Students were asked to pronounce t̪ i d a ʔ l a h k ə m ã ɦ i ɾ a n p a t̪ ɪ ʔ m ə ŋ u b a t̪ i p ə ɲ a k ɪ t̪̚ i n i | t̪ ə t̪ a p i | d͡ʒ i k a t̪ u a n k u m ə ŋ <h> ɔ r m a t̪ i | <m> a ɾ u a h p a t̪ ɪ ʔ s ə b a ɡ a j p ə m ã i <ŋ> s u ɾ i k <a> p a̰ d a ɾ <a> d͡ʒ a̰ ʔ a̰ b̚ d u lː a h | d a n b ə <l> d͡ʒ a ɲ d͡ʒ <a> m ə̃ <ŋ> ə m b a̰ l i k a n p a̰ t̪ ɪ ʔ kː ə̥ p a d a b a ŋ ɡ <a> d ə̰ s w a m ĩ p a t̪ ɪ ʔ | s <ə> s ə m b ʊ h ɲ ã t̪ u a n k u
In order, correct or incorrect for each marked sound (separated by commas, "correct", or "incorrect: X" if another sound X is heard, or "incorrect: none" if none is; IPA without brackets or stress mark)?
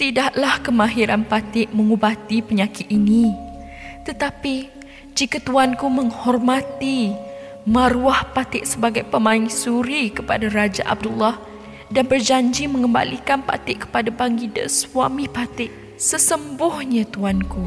correct, correct, correct, incorrect: ə, correct, incorrect: r, incorrect: i, correct, incorrect: i, correct